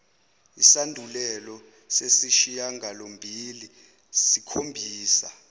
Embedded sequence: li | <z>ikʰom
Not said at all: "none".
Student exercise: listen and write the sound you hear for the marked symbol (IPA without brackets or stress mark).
s